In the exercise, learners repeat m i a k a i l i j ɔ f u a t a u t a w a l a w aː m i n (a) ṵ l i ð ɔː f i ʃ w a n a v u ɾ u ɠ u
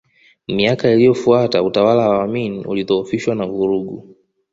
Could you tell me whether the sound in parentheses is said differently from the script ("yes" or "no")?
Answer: yes